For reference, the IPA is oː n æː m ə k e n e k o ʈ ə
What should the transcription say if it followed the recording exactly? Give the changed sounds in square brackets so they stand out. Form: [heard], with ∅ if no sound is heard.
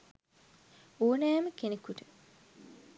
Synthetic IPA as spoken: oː n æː m ə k e n e k [u] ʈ ə